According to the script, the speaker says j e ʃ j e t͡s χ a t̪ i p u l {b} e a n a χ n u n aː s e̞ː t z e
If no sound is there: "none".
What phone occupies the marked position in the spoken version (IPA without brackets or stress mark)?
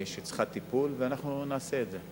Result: v